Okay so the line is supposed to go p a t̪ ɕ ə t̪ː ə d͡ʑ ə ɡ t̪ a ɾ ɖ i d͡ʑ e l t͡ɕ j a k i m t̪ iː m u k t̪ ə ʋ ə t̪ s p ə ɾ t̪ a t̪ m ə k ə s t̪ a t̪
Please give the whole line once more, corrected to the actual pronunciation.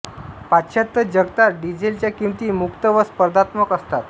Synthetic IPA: p a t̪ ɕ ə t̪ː ə d͡ʑ ə ɡ t̪ a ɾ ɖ i d͡ʑ e l t͡ɕ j a k i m t̪ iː m u k t̪ ə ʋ ə s p ə ɾ d̪ a t̪ m ə k ə s t̪ a t̪